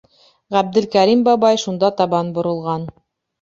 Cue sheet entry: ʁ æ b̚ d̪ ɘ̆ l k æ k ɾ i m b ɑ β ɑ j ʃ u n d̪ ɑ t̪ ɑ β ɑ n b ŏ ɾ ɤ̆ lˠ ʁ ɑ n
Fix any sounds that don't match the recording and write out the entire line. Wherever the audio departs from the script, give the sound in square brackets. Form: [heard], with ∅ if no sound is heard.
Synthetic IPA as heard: ʁ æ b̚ d̪ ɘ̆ l k æ [∅] ɾ i m b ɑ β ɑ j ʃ u n d̪ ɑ t̪ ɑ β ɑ n b ŏ ɾ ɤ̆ lˠ ʁ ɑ n